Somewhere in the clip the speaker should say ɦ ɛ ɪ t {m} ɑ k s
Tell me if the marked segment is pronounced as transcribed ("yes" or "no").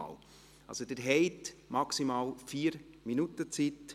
yes